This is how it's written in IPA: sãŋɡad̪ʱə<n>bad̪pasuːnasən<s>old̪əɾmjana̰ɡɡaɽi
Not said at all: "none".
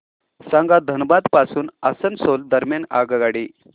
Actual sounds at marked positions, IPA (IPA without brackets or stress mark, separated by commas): n, s